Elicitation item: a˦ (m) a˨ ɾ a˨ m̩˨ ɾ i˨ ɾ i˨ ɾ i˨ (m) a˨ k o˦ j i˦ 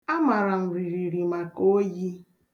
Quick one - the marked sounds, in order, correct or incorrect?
correct, correct

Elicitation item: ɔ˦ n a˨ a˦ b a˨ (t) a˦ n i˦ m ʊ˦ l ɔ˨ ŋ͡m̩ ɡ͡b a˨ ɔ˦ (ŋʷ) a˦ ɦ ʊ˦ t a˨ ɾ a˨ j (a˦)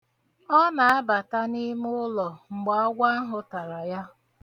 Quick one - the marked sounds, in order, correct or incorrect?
correct, incorrect: ɡʷ, correct

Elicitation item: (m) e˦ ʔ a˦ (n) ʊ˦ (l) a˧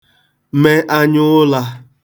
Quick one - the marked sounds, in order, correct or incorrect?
correct, incorrect: ɲ, correct

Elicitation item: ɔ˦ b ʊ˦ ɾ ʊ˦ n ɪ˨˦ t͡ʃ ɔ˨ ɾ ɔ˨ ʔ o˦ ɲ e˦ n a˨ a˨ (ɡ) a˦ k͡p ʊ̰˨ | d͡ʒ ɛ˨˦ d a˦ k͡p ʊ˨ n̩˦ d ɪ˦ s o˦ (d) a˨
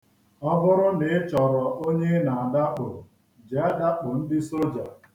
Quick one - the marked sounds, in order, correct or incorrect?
incorrect: d, incorrect: d͡ʒ

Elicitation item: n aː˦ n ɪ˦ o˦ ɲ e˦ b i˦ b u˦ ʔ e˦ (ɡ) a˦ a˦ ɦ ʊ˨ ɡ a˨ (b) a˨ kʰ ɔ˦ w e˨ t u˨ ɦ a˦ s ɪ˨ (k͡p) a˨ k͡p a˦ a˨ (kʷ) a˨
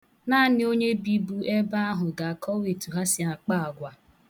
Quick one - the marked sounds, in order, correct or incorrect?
incorrect: b, incorrect: none, incorrect: none, incorrect: ɡʷ

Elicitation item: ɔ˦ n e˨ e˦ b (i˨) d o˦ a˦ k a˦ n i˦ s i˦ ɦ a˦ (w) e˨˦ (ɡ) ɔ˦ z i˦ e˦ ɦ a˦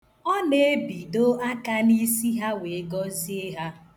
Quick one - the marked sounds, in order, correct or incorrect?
correct, correct, correct

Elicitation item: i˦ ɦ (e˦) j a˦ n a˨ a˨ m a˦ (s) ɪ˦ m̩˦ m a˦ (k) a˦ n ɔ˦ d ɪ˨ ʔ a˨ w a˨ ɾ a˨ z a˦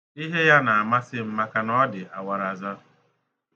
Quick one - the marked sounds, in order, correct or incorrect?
correct, correct, correct

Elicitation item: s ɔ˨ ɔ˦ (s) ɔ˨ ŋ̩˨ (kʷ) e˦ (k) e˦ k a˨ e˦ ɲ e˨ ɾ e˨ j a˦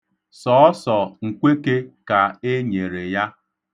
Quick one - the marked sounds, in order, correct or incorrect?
correct, correct, correct

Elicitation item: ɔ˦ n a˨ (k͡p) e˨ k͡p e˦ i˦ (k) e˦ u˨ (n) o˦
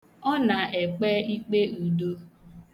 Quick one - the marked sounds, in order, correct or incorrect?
incorrect: none, incorrect: k͡p, incorrect: d

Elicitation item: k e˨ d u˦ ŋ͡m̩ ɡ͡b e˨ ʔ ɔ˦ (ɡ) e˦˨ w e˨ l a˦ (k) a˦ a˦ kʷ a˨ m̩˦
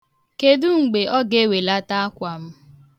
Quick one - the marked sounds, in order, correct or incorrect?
correct, incorrect: t

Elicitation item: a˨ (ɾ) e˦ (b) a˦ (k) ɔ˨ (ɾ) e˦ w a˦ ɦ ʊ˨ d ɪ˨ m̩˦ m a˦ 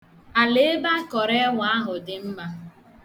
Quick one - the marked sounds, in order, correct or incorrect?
incorrect: l, correct, correct, correct

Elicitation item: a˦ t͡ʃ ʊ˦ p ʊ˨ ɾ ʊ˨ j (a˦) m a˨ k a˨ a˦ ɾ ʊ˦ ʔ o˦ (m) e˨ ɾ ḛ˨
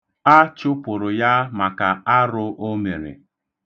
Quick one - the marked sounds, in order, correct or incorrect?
correct, correct

